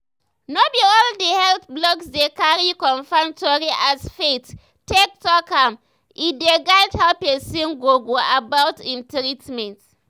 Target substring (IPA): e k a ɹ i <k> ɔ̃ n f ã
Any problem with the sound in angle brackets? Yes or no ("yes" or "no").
no